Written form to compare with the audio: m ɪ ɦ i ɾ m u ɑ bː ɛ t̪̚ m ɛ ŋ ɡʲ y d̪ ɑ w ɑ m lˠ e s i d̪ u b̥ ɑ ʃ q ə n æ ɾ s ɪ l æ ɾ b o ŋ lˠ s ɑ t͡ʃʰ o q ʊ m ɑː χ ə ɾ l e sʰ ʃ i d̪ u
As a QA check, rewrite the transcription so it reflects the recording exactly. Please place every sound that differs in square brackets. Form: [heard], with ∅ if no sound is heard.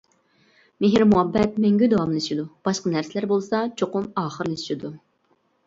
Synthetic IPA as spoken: m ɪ ɦ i ɾ m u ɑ bː ɛ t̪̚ m ɛ ŋ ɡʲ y d̪ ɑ w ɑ m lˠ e [ʃ] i d̪ u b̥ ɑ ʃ q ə n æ ɾ s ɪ l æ ɾ b o [∅] lˠ s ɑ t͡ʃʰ o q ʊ m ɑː χ ə ɾ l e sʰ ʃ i d̪ u